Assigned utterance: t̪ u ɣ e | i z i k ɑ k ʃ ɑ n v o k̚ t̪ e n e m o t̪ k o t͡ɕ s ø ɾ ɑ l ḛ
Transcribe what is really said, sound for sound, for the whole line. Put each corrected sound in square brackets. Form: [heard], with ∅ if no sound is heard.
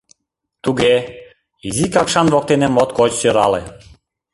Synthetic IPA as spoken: t̪ u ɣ e | i z i k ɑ k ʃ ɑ n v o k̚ t̪ e n e m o t̪ k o t͡ɕ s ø ɾ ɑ l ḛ